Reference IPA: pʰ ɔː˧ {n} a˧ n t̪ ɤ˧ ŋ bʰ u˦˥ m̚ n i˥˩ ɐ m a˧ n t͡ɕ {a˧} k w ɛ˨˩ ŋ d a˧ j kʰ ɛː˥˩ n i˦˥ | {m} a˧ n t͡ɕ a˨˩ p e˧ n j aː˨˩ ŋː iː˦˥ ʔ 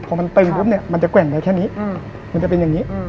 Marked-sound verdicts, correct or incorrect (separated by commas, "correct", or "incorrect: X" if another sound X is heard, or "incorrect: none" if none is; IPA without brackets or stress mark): incorrect: m, incorrect: a˨˩, correct